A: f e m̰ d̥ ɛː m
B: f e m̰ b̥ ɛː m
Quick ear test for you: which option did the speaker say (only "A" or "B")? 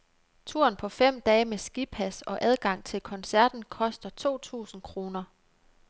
A